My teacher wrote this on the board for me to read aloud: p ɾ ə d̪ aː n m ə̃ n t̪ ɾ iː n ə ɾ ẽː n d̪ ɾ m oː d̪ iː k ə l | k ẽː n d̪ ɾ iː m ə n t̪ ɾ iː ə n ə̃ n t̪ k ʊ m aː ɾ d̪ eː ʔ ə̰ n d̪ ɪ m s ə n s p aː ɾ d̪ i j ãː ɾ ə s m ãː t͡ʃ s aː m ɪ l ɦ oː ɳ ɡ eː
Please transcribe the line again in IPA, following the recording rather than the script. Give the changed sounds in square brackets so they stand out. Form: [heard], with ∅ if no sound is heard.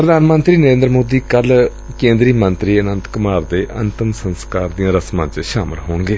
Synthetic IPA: p ɾ ə d̪ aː n m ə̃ n t̪ ɾ iː n ə ɾ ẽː n d̪ ɾ m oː d̪ iː k ə l | k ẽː n d̪ ɾ iː m ə n t̪ ɾ iː ə n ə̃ n t̪ k ʊ m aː ɾ d̪ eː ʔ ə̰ n [t̪] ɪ m s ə n s [k] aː ɾ d̪ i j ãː ɾ ə s m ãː t͡ʃ [ʃ] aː m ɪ l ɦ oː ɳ ɡ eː